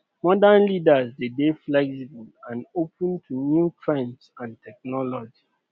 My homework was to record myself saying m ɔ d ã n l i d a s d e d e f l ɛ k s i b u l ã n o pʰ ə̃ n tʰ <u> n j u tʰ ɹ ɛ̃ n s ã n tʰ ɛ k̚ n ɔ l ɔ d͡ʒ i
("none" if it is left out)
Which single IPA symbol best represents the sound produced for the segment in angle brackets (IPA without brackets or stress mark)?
u